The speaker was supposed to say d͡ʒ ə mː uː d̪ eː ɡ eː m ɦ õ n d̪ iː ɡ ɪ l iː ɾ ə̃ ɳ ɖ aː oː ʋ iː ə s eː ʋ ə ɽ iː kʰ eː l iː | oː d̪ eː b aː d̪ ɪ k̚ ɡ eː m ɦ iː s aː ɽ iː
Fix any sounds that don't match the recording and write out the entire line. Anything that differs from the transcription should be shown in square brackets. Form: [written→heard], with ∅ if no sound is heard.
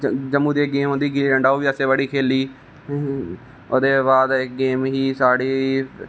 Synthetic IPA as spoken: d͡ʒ ə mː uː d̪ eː ɡ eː m ɦ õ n d̪ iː ɡ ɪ l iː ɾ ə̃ ɳ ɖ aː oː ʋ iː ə s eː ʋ ə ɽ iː kʰ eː l iː | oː d̪ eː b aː d̪ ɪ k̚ ɡ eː m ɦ iː s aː ɽ iː